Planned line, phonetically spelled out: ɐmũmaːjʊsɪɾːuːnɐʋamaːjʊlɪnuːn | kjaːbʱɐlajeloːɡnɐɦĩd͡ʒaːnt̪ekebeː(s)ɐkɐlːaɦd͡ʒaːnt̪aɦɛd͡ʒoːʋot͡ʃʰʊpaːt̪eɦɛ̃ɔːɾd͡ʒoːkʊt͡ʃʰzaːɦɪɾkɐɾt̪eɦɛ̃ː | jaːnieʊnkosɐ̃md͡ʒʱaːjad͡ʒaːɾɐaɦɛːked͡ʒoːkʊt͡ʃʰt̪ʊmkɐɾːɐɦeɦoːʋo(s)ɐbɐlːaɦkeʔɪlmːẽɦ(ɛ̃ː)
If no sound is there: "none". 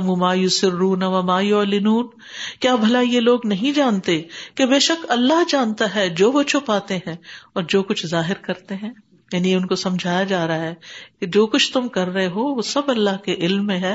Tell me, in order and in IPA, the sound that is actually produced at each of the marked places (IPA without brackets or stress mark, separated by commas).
ʃ, s, ɛː